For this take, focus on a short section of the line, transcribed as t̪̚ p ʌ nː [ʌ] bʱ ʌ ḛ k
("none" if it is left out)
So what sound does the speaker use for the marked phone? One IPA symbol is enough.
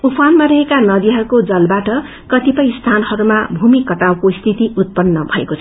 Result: ʌ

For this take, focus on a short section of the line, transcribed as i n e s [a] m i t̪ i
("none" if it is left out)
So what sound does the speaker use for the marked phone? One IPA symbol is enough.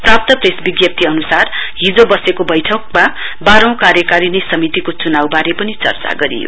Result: ʌ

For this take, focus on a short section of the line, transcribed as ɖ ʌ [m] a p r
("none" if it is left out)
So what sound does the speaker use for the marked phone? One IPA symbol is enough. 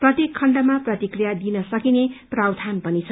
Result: m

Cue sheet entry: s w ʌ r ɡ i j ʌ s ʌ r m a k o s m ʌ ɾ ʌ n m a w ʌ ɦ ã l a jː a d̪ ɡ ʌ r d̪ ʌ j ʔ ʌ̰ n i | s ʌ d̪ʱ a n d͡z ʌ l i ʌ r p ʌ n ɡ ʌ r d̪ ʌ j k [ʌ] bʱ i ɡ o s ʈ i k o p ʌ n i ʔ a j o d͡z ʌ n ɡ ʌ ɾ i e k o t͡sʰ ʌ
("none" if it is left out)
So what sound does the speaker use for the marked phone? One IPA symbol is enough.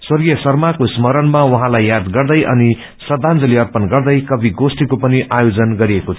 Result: ʌ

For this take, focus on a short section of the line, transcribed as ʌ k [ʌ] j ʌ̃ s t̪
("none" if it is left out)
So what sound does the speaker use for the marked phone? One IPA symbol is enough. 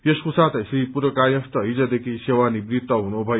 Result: a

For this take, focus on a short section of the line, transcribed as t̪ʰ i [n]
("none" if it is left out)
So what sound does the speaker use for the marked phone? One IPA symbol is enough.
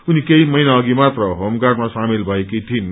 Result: n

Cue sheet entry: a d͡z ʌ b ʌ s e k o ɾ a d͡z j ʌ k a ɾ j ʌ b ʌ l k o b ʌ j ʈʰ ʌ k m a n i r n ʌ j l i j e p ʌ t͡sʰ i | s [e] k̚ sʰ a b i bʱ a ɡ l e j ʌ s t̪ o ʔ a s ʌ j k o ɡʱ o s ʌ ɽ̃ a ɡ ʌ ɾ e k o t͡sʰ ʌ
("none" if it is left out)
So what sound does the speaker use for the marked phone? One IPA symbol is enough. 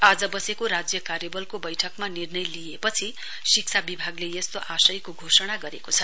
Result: i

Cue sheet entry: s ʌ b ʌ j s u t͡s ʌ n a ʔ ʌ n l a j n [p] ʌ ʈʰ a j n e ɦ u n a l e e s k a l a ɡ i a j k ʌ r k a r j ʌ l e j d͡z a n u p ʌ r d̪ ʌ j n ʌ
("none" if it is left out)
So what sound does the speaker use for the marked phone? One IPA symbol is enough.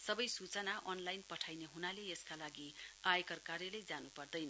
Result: p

